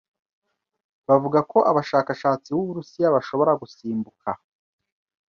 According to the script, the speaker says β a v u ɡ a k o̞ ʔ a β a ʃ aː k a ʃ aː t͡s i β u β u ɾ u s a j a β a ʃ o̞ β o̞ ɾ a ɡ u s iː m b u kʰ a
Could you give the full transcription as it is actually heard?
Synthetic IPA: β a v u ɡ a k o̞ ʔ a β a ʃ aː k a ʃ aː t͡s i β u β u ɾ u s i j a β a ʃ o̞ β o̞ ɾ a ɡ u s iː m b u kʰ a